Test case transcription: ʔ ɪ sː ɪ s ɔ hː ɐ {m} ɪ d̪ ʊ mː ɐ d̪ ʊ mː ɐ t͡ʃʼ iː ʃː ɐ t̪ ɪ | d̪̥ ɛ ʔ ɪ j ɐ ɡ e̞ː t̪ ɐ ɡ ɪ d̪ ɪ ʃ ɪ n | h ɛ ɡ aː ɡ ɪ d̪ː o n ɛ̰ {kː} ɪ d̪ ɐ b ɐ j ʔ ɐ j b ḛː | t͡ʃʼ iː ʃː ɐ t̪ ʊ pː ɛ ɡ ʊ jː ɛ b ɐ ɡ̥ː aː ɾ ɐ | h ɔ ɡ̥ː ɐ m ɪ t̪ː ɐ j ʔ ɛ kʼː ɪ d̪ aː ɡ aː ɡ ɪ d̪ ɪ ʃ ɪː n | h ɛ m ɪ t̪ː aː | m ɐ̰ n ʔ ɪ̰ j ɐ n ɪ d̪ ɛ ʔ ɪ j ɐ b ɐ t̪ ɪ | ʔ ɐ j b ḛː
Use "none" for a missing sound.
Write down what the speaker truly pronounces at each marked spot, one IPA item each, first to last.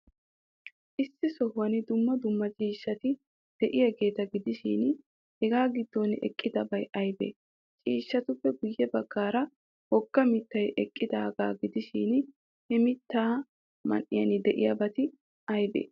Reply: n, kʼː

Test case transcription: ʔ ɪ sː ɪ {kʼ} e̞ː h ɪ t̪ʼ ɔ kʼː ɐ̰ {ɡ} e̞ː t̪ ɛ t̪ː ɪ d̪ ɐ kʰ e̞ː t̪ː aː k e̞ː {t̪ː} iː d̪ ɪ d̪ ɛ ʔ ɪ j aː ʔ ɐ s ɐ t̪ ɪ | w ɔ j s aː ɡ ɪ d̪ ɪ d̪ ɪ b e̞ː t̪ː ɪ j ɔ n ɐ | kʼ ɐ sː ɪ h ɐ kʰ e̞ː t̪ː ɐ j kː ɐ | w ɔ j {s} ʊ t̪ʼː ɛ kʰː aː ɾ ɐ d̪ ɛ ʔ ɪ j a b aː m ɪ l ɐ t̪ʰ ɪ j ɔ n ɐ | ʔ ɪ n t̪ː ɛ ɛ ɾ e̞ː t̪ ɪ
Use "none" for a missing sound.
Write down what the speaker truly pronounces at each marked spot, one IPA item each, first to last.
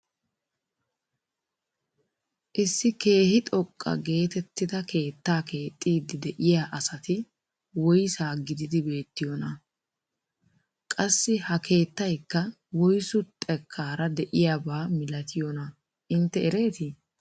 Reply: k, ɡ, t̪ʼː, s

